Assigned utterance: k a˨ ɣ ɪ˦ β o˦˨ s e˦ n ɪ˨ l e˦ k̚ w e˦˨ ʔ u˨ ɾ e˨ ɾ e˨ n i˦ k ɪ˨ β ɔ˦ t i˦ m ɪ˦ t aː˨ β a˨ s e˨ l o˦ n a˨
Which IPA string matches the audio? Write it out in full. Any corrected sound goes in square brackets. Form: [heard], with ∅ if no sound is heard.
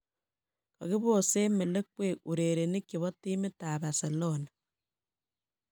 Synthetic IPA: k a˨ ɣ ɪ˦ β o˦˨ s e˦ [m] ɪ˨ l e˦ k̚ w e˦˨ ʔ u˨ ɾ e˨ ɾ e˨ n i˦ k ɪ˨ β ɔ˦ t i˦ m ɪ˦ t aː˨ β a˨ s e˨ l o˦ n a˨